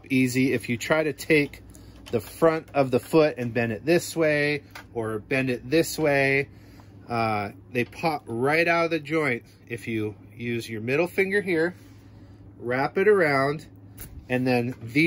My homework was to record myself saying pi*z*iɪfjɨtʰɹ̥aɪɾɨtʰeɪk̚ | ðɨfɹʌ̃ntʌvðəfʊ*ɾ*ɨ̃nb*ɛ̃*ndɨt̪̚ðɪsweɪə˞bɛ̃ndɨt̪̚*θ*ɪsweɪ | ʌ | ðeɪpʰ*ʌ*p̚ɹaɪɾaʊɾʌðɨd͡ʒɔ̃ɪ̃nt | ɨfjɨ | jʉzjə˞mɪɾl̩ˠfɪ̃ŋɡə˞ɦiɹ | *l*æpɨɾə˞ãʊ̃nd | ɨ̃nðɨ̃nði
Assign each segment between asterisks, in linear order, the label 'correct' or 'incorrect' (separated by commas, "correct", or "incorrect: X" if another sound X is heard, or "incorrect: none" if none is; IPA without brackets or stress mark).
correct, correct, correct, incorrect: ð, incorrect: ɑ, incorrect: ɹ